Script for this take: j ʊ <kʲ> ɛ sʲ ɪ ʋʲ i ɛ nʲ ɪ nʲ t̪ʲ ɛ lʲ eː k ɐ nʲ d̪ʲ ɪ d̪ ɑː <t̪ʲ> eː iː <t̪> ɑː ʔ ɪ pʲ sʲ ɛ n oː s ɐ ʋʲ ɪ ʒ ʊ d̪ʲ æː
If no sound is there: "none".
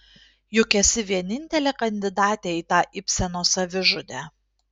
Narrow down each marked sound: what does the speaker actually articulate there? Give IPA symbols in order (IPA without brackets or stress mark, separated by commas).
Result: kʲ, t̪ʲ, t̪